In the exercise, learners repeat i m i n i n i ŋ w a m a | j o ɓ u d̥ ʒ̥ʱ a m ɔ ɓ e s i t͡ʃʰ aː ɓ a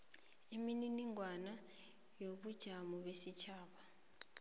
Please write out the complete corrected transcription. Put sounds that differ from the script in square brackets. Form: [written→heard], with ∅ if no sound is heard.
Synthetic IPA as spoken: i m i n i n i ŋ w a [m→n] a | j o ɓ u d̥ ʒ̥ʱ a m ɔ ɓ e s i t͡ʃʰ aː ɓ a